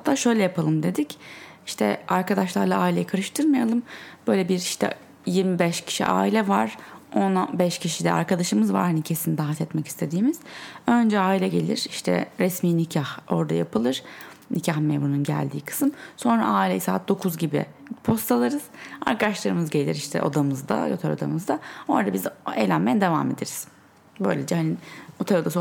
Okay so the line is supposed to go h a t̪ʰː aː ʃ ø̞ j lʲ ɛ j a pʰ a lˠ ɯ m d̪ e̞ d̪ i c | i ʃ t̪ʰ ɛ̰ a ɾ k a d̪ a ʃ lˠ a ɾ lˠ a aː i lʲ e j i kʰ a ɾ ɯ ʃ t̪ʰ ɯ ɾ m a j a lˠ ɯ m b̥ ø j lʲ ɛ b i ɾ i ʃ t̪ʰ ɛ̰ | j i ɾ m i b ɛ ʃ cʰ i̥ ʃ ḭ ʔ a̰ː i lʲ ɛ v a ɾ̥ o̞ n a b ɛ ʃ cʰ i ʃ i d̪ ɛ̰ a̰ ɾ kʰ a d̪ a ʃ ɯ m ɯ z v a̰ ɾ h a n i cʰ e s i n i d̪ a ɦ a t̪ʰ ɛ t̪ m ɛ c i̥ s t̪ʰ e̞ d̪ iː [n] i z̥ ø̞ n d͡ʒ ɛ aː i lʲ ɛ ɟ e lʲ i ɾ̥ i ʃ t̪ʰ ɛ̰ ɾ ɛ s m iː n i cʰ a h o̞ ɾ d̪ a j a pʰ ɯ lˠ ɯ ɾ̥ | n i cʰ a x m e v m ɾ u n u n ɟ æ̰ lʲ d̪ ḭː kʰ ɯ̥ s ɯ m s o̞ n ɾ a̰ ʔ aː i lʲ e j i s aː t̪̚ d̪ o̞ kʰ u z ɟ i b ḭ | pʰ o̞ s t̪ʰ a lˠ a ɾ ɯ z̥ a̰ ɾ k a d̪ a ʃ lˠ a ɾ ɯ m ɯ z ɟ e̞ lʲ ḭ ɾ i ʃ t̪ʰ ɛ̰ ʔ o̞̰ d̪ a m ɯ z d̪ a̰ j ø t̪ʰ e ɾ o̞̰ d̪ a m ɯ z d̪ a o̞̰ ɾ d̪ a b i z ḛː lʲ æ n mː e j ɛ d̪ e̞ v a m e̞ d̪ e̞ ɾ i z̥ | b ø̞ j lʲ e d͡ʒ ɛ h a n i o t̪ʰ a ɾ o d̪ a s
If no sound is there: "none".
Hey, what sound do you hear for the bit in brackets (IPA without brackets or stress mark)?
m